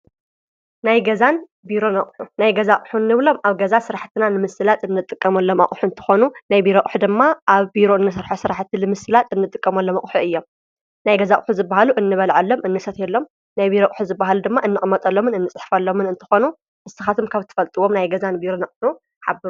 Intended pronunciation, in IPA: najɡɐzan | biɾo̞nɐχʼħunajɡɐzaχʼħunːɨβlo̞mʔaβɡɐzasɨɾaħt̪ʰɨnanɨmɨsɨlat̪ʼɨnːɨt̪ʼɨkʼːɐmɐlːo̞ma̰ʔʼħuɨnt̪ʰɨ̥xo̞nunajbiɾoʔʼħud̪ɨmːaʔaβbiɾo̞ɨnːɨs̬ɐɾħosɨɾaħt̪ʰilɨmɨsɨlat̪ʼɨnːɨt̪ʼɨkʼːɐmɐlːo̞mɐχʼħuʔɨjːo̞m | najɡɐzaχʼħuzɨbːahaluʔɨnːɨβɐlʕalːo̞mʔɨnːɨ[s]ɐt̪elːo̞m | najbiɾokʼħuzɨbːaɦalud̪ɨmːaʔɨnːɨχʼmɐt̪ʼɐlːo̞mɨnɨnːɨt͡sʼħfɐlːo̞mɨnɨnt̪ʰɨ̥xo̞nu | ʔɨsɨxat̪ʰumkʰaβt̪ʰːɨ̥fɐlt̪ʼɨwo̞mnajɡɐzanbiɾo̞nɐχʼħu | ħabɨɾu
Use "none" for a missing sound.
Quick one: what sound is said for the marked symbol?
s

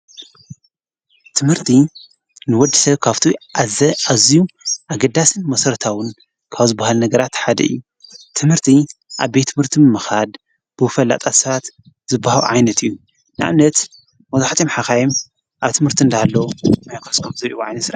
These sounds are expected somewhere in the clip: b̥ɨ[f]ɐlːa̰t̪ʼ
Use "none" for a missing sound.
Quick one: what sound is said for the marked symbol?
f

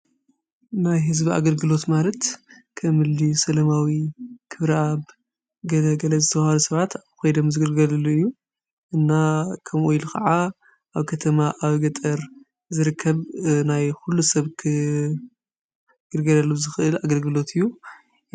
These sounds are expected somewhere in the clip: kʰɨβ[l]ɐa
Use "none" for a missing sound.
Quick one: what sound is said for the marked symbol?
ɾ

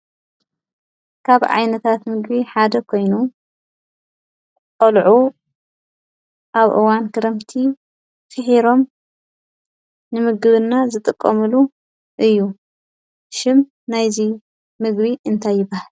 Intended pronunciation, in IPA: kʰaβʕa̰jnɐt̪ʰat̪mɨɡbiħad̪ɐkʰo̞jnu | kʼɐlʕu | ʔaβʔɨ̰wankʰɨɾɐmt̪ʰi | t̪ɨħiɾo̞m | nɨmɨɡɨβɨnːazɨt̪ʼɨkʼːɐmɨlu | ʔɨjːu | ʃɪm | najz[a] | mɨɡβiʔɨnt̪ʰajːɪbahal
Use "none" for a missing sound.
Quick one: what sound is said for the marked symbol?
i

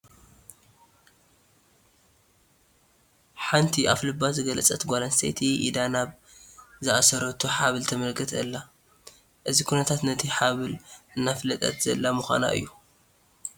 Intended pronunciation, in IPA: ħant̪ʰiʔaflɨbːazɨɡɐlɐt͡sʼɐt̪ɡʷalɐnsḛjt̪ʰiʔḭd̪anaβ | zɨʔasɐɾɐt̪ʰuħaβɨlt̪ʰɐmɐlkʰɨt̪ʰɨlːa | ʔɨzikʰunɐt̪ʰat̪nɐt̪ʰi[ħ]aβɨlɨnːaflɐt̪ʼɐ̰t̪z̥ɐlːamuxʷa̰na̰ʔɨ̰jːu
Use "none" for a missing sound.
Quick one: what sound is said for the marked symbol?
ħ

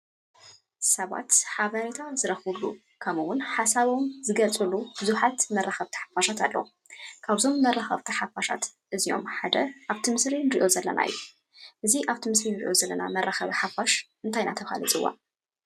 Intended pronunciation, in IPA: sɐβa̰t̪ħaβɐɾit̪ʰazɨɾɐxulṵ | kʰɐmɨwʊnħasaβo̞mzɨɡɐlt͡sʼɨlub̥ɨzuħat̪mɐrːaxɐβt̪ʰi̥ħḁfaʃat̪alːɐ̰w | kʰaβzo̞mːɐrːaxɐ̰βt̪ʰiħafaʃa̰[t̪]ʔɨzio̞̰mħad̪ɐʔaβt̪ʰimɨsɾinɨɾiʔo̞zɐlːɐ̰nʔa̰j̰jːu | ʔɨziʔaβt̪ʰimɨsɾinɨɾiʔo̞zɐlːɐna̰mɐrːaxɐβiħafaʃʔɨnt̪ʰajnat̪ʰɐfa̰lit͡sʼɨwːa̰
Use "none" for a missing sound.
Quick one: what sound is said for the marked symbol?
t̪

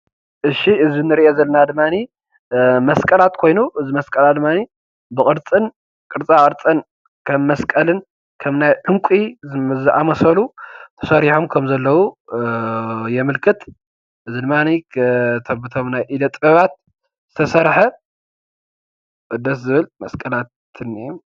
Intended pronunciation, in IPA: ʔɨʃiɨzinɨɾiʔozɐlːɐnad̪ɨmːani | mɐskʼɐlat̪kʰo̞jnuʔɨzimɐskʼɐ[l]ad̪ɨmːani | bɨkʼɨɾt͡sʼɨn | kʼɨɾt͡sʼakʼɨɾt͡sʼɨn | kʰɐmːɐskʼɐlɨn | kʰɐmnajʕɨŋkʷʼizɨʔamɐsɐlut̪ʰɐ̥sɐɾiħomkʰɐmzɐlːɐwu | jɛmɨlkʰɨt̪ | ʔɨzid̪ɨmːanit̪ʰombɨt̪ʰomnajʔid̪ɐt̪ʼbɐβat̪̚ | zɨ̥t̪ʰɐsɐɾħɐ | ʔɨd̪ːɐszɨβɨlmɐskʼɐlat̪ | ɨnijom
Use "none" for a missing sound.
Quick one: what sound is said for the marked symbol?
l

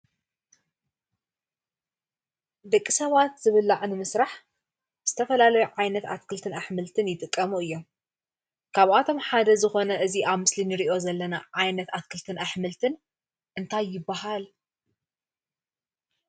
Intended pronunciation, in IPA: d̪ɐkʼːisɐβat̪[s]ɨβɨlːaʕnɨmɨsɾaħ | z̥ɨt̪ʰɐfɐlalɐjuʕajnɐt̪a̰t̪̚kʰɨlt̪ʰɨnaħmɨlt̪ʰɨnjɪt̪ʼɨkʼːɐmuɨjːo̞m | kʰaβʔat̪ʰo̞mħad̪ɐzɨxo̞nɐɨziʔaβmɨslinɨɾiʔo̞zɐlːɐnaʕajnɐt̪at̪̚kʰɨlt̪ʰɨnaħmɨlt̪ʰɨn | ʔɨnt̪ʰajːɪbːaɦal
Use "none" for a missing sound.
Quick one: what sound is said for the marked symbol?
z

